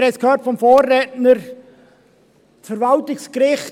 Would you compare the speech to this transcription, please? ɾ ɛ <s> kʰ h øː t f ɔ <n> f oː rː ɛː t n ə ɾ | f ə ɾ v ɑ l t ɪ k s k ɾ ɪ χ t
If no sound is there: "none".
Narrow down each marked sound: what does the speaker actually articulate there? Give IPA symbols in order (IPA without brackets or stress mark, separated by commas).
s, m